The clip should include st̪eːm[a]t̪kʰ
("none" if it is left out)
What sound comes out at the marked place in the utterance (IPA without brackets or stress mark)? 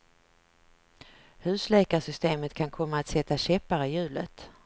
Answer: ə